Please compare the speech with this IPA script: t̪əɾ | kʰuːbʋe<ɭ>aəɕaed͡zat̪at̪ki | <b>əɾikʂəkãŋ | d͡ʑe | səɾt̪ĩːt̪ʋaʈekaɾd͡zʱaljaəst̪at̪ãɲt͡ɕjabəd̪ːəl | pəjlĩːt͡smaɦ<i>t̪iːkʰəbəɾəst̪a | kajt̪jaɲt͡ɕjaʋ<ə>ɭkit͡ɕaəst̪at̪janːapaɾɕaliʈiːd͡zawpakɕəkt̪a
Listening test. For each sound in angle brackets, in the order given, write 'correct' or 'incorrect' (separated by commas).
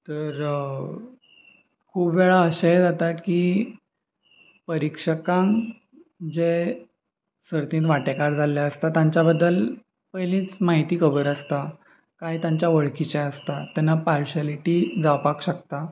correct, incorrect, correct, correct